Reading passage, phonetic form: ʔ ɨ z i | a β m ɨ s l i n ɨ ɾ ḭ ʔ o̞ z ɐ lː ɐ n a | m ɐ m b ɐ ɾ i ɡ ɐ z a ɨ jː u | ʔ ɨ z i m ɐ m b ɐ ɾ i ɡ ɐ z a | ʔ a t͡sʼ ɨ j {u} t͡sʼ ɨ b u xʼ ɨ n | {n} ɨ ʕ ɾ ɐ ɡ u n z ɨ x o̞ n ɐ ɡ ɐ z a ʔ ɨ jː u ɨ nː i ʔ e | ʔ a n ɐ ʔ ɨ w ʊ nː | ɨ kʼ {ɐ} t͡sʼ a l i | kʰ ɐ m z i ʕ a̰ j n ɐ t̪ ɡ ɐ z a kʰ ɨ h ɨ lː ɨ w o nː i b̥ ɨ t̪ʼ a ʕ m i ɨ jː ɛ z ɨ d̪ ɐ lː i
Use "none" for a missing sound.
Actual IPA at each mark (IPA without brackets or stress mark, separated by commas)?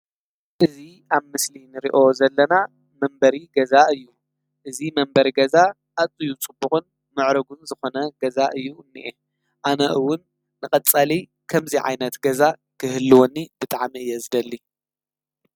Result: u, m, ɐ